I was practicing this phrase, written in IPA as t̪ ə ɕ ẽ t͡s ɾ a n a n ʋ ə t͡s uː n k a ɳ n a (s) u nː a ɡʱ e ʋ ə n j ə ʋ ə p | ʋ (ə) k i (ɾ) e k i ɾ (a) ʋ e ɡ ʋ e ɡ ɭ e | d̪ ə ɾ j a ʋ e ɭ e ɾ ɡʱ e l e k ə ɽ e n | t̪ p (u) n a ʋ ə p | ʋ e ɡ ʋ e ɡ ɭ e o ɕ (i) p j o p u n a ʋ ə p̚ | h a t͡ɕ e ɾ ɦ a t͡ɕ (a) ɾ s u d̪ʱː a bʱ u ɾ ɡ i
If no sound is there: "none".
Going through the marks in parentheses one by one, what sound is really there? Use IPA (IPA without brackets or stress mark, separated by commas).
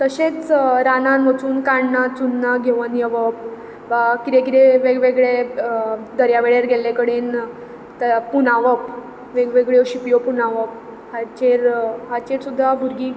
t͡s, a, ɾ, e, u, i, e